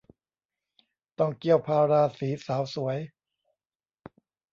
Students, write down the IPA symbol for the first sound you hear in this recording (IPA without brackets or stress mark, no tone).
t̪